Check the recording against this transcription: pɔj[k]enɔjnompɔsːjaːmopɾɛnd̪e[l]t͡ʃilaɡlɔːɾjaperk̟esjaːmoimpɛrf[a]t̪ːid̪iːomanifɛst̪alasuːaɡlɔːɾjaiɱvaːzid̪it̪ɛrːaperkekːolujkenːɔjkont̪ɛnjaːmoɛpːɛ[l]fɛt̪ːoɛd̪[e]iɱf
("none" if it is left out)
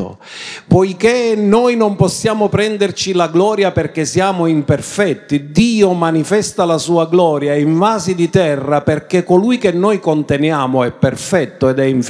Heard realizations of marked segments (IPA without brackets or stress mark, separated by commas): k, r, ɛ, r, ɛ